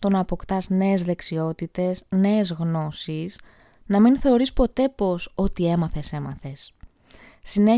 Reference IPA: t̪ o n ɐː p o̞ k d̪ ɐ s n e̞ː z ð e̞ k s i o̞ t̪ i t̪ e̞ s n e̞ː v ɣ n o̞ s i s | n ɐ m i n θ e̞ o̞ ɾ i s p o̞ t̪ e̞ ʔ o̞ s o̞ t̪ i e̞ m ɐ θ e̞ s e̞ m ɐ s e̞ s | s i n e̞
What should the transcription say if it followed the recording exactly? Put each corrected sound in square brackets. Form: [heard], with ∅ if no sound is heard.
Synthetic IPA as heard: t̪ o n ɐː p o̞ k [t̪] ɐ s n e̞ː z ð e̞ k s i o̞ t̪ i t̪ e̞ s n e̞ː [z] ɣ n o̞ s i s | n ɐ m i n θ e̞ o̞ ɾ i s p o̞ t̪ e̞ [p] o̞ s o̞ t̪ i e̞ m ɐ θ e̞ s e̞ m ɐ [θ] e̞ s | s i n e̞